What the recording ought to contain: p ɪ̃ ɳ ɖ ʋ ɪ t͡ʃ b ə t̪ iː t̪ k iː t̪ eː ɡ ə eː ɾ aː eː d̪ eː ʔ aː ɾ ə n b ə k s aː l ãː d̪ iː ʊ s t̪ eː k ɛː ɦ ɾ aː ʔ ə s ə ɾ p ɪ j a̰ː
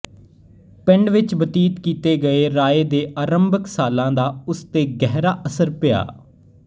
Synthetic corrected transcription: p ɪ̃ ɳ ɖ ʋ ɪ t͡ʃ b ə t̪ iː t̪ k iː t̪ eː ɡ ə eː ɾ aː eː d̪ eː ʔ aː ɾ ə m b ə k s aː l ãː d̪ aː ʊ s t̪ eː ɡ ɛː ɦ ɾ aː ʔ ə s ə ɾ p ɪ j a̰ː